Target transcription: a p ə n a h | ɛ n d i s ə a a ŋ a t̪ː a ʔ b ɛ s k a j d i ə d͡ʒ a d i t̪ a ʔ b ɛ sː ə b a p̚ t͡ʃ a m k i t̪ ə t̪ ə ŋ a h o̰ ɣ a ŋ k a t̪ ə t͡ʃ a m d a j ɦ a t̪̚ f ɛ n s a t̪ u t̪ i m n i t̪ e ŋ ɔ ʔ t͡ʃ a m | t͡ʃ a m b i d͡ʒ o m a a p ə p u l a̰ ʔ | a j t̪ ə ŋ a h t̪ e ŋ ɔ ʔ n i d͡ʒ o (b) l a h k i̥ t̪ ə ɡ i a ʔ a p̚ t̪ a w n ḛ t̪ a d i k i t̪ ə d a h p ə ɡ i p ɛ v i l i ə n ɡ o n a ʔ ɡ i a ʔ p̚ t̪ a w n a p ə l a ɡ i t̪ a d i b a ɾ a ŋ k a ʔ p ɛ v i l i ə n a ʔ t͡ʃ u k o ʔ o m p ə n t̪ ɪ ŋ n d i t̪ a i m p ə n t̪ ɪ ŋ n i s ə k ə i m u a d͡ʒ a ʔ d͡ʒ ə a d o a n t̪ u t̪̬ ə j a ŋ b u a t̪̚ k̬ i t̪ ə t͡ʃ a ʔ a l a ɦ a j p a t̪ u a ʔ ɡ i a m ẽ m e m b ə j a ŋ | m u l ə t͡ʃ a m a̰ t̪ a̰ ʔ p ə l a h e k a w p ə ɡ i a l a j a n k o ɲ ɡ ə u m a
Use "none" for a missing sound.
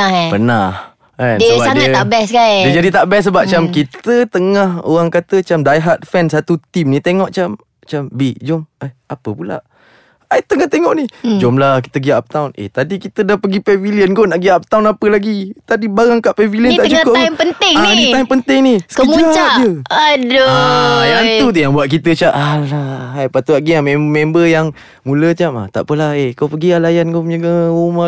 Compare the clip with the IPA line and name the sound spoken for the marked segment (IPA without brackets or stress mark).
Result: m